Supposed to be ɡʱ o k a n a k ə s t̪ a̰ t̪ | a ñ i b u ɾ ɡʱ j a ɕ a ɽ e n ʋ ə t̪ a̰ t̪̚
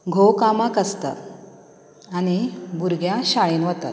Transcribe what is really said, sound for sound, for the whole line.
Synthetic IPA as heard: ɡʱ o k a m a k ə s t̪ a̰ t̪ | a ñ i b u ɾ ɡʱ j a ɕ a ɭ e n ʋ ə t̪ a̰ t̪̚